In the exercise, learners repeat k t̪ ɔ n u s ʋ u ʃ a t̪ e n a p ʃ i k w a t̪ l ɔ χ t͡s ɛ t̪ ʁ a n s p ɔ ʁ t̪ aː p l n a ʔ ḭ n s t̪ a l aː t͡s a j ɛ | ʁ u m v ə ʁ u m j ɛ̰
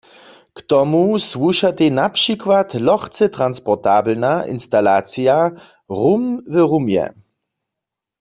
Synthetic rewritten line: k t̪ ɔ m u s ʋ u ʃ a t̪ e n a p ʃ i k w a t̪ l ɔ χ t͡s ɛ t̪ ʁ a n s p ɔ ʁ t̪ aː b l n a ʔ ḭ n s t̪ a l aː t͡s i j a | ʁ u m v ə ʁ u m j ɛ̰